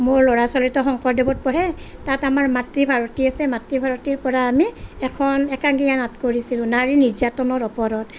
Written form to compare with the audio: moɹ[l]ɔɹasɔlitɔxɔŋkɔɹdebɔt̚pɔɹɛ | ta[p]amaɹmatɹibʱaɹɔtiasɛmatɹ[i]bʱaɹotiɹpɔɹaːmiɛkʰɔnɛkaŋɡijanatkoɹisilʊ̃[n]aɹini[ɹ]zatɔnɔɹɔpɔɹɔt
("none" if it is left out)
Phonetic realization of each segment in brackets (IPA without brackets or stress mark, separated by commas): l, t, i, n, ɹ